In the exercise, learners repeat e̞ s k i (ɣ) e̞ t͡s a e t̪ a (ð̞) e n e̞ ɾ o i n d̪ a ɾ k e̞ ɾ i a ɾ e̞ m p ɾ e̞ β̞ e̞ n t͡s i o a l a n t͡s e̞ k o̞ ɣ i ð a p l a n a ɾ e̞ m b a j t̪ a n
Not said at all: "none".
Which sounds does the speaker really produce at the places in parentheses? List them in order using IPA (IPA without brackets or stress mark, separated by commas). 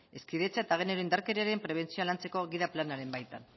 ð, ɣ̞